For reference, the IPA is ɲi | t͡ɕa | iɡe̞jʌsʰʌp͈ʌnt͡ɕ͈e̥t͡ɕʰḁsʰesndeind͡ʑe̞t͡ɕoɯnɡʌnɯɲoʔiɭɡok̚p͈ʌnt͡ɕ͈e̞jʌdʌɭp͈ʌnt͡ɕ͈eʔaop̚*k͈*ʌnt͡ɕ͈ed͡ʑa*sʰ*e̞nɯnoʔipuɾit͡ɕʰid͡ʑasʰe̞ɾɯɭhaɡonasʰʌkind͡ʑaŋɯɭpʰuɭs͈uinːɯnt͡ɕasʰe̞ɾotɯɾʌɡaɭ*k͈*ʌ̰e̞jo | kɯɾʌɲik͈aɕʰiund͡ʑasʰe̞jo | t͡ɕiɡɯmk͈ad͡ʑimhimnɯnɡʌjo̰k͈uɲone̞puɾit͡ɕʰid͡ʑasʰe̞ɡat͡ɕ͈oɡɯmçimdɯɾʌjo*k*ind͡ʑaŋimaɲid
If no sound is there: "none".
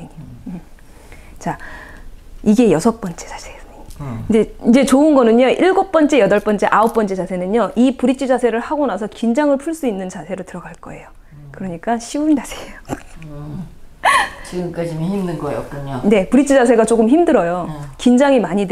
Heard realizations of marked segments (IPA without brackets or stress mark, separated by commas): p͈, sʰ, k͈, k